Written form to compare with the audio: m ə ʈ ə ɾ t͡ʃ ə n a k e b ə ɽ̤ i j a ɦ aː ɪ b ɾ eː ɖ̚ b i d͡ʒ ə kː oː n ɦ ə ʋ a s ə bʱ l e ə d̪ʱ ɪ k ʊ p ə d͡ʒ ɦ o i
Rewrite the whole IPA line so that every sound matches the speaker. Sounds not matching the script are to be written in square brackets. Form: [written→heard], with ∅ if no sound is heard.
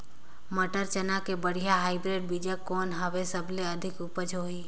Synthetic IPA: m ə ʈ ə ɾ t͡ʃ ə n a k e b ə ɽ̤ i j a ɦ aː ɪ b ɾ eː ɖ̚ b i d͡ʒ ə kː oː n ɦ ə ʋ [a→e] s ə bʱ l e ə d̪ʱ ɪ k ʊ p ə d͡ʒ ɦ o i